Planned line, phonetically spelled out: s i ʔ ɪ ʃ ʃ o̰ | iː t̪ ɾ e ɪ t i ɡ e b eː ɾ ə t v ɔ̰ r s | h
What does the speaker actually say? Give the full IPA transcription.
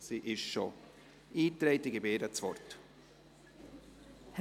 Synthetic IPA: s i ʔ ɪ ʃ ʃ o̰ | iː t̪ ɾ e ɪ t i ɡ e b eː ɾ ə t͡s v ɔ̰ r t | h